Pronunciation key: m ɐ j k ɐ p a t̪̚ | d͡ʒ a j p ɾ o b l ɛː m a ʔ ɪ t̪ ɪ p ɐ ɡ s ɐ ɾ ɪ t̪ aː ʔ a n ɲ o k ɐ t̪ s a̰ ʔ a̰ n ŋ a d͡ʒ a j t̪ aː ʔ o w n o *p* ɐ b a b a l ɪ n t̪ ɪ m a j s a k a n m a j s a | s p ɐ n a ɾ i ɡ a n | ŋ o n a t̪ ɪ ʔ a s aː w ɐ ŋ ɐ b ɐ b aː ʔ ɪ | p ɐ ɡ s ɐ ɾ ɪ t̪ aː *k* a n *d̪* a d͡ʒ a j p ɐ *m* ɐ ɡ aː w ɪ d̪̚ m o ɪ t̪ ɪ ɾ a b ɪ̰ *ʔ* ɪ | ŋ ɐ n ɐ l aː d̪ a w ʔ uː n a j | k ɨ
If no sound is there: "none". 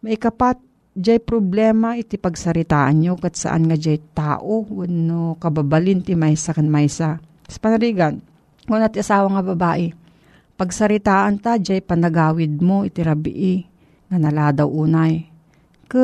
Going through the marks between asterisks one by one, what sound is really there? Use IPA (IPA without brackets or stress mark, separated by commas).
k, ʔ, t̪, n, ʔ